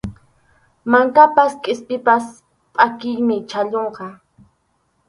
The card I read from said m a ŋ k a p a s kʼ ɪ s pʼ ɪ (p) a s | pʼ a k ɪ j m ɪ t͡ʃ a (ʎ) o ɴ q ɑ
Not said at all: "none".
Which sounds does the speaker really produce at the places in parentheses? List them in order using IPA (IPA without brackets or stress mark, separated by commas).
p, ʎ